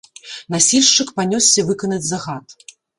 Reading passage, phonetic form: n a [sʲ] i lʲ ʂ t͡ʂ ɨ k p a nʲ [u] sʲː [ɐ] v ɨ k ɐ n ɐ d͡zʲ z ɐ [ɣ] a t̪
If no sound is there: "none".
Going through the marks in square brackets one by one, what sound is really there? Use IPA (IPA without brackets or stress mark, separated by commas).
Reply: sʲ, ɔ, ɐ, ɣ